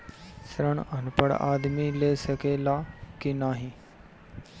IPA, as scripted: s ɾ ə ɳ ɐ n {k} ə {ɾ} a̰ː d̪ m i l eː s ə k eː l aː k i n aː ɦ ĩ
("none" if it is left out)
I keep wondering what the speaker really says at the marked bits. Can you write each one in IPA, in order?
p, ɽ

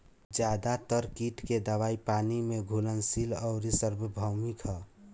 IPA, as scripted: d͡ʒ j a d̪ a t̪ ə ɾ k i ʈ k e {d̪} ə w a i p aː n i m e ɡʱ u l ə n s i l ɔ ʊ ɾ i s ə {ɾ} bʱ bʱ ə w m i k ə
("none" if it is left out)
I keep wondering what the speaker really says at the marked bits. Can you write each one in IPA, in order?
d̪, ɾ

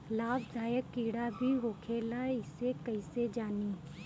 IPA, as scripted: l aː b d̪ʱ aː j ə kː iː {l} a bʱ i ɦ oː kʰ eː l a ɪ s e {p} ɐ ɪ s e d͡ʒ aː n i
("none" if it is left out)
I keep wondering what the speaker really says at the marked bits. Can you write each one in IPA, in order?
ɽ, k

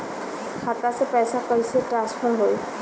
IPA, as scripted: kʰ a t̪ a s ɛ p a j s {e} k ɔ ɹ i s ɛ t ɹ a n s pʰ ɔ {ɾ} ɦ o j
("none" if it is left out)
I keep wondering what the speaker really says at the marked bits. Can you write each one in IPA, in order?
a, ɹ

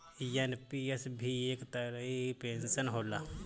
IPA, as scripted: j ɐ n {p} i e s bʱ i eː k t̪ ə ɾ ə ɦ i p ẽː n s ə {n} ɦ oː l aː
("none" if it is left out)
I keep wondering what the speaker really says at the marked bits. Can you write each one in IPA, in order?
p, n

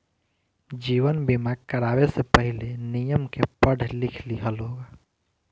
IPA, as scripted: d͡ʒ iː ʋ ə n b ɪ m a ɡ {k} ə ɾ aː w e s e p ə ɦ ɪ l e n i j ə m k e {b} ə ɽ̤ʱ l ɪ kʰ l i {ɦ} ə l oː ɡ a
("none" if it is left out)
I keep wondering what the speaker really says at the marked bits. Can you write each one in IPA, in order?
k, p, ɦ

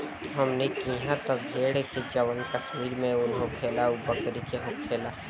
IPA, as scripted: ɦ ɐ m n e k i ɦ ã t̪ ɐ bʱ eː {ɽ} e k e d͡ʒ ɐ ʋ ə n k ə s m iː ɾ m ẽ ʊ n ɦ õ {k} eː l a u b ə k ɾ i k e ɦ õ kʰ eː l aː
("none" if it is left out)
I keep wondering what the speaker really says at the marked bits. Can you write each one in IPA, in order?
ɽ, kʰ

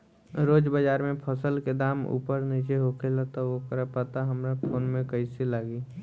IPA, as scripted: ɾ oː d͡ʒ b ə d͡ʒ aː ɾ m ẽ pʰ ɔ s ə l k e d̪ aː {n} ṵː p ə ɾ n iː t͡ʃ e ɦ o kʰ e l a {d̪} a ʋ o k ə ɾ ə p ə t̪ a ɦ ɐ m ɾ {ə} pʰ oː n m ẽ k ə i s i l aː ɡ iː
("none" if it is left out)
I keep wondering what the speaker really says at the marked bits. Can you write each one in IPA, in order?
m, t̪, a

